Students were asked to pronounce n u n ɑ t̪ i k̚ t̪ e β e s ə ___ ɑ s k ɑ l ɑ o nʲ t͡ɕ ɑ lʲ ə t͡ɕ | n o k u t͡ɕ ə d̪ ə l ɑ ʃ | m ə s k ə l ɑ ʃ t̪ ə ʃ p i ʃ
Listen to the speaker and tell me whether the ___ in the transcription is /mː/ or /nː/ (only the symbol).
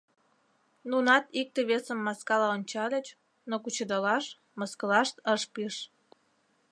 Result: mː